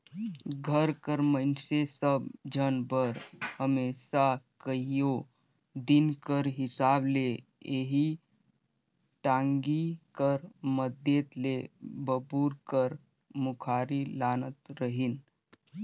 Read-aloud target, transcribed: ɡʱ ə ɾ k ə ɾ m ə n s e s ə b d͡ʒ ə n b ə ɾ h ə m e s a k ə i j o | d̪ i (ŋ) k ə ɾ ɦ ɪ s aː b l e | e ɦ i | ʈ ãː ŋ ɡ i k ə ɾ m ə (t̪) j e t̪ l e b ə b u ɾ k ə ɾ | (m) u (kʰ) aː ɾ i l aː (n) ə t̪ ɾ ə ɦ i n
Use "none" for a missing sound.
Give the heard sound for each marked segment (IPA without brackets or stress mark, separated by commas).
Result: n, d̪, m, kʰ, n